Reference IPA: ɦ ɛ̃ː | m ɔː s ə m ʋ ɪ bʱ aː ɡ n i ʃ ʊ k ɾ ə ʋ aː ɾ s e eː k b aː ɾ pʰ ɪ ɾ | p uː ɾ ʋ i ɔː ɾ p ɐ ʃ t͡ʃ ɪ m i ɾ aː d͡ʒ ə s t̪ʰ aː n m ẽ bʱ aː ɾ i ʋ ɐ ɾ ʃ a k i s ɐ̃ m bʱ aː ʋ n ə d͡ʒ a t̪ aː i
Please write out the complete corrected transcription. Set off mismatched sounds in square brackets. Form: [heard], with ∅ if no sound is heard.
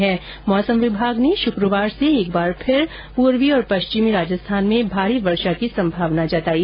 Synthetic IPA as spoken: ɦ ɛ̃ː | m ɔː s ə m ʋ ɪ bʱ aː ɡ n [e] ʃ ʊ k ɾ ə ʋ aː ɾ s e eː k b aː ɾ pʰ ɪ ɾ | p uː ɾ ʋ i ɔː ɾ p ɐ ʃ t͡ʃ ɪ m i ɾ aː d͡ʒ ə s t̪ʰ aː n m ẽ bʱ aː ɾ i ʋ ɐ ɾ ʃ a k i s ɐ̃ m bʱ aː ʋ n [a] d͡ʒ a t̪ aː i